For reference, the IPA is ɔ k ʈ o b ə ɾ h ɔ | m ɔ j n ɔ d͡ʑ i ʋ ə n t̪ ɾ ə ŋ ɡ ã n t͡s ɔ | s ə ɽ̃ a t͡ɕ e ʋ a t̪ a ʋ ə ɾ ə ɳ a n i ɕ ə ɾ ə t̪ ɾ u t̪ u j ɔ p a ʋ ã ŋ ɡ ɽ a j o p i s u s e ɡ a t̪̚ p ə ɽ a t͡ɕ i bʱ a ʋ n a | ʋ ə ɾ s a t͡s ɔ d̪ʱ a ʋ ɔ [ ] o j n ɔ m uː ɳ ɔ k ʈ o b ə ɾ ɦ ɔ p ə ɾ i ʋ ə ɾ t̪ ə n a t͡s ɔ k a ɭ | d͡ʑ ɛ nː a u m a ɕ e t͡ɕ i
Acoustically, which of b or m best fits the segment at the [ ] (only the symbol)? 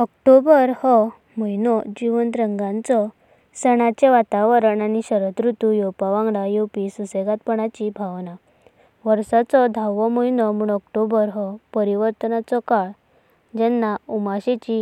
m